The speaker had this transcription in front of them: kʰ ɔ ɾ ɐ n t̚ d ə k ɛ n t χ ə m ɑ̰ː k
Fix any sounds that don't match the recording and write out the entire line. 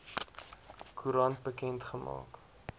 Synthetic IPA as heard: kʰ u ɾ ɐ n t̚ b ə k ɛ n t χ ə m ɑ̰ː k